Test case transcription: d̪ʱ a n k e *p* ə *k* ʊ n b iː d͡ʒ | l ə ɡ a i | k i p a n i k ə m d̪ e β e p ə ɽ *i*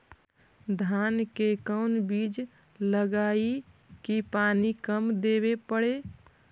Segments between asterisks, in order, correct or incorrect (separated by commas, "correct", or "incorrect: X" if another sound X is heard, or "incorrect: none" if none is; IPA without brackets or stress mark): incorrect: k, incorrect: none, incorrect: e